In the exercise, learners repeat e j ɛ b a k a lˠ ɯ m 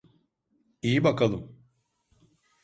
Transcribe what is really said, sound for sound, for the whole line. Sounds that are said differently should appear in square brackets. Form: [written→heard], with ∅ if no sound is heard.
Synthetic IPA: [e→i] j [ɛ→i] b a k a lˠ ɯ m